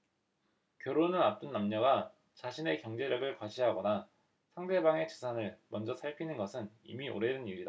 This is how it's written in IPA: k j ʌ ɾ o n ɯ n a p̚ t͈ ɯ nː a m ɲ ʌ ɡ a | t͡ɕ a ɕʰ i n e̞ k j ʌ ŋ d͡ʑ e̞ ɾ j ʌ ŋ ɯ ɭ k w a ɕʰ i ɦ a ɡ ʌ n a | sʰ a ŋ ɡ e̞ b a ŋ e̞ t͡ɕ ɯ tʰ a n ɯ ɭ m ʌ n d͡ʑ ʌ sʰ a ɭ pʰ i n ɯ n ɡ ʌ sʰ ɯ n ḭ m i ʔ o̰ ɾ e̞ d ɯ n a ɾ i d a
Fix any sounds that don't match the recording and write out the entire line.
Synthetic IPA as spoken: k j ʌ ɾ o n ɯ n a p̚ t͈ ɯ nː a m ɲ ʌ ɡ a | t͡ɕ a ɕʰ i n e̞ k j ʌ ŋ d͡ʑ e̞ ɾ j ʌ ɡ ɯ ɭ k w a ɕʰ i ɦ a ɡ ʌ n a | sʰ a ŋ d e̞ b a ŋ e̞ t͡ɕ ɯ sʰ a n ɯ ɭ m ʌ n d͡ʑ ʌ sʰ a ɭ pʰ i n ɯ n ɡ ʌ sʰ ɯ n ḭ m i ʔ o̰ ɾ e̞ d ɯ n i ɾ i d a